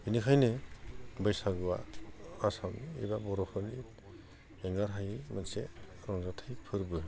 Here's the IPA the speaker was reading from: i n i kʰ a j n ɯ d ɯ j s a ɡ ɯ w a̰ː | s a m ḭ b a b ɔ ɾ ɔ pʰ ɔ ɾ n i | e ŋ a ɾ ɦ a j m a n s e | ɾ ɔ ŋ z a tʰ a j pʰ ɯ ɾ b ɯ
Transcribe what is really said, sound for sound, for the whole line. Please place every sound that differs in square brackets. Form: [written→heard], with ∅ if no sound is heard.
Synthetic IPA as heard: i n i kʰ a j n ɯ [d→b] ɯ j s a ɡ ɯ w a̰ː | s a m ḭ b a b ɔ ɾ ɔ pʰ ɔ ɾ n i | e ŋ a ɾ ɦ a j m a n s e | ɾ ɔ ŋ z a tʰ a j pʰ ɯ ɾ b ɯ